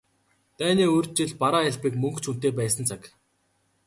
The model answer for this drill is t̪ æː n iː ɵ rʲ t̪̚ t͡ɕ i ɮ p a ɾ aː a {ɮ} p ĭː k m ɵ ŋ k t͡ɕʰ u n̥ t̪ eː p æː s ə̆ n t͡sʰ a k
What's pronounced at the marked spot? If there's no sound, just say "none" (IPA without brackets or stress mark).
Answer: ɮ